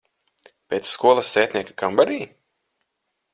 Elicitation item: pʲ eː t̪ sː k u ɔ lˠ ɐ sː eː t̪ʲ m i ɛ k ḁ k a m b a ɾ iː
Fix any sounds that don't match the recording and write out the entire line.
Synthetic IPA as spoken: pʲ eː t̪ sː k u ɔ lˠ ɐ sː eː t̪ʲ n i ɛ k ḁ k a m b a ɾ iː